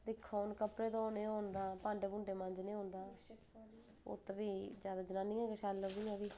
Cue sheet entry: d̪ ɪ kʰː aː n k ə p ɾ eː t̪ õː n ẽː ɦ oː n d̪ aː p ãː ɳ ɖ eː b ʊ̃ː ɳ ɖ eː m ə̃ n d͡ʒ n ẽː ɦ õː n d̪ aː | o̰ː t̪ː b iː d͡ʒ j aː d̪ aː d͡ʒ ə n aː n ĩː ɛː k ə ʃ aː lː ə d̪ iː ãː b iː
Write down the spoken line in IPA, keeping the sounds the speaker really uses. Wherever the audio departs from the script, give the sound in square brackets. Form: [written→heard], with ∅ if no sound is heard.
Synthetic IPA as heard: d̪ ɪ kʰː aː n k ə p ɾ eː t̪ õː n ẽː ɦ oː n d̪ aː p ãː ɳ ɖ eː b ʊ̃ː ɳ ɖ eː m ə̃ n d͡ʒ n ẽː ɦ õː n d̪ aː | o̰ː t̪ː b iː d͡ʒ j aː d̪ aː d͡ʒ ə n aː n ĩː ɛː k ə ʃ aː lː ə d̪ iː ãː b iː